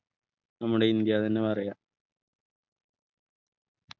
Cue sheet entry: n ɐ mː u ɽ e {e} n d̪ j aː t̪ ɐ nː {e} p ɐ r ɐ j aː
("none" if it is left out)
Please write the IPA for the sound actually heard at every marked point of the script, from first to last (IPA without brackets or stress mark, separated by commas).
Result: i, e